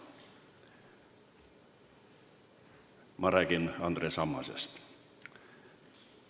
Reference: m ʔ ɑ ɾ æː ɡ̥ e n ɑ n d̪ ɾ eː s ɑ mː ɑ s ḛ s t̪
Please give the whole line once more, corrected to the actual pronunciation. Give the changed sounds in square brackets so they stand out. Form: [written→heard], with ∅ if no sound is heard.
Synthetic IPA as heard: m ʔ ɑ ɾ æː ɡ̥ [e→i] n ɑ n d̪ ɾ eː s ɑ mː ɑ s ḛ s t̪